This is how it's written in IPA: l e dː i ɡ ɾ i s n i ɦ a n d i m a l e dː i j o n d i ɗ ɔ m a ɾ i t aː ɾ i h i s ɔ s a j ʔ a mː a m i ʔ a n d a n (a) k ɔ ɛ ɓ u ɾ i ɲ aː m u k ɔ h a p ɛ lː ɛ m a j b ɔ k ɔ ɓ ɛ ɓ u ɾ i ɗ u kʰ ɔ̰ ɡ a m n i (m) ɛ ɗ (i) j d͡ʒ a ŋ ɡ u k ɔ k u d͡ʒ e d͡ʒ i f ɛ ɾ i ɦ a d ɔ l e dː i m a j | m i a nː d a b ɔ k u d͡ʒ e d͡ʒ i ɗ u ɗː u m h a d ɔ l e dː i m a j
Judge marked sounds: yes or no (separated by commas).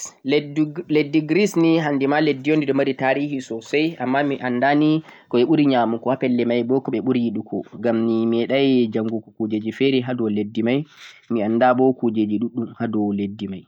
no, yes, no